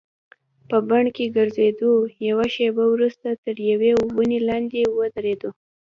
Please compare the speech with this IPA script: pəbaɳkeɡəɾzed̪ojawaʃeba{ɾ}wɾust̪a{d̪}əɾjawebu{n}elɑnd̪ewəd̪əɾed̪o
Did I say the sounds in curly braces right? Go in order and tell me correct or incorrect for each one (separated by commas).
incorrect, incorrect, correct